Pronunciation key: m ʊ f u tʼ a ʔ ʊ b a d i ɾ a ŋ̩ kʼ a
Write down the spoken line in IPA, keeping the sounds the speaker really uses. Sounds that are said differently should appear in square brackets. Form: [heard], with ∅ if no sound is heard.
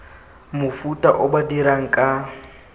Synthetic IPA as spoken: m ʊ f u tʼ a ʔ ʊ b a d i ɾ a ŋ̩ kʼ a